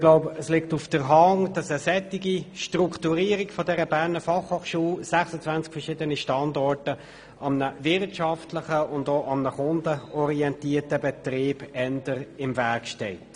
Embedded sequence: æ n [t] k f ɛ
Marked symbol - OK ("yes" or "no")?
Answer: no